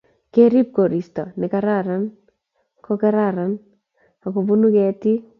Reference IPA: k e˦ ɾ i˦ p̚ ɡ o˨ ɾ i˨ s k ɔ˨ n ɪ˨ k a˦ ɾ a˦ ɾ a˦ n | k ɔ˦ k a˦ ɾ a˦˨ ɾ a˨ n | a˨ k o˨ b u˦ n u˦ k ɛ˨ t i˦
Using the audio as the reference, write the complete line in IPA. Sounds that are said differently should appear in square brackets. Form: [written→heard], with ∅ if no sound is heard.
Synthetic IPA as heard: k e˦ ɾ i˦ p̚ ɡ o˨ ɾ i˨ s [k→t] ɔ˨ n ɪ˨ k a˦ ɾ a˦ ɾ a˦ n | k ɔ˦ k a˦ ɾ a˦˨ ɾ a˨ n | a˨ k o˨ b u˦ n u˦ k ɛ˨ t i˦